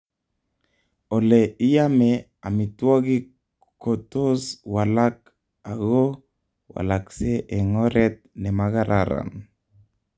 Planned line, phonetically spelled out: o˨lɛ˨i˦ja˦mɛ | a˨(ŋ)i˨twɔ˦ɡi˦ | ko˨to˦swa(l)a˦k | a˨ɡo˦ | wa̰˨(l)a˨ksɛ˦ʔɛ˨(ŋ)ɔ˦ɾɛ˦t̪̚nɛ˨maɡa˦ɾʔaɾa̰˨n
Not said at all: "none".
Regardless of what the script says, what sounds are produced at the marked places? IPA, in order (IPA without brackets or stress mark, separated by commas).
m, l, l, ŋ